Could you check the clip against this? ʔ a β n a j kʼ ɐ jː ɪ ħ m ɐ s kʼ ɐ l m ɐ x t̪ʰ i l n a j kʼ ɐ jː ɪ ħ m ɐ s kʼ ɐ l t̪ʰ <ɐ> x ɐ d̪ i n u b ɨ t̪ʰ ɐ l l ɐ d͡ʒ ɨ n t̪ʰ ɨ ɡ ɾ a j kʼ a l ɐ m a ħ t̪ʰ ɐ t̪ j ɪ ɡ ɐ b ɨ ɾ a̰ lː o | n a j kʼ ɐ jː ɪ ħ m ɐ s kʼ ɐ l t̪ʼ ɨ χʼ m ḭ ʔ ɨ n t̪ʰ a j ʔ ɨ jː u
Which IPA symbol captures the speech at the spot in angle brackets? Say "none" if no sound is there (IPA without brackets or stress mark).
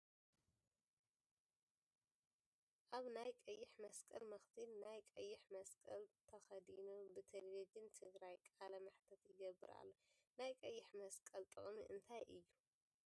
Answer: ɐ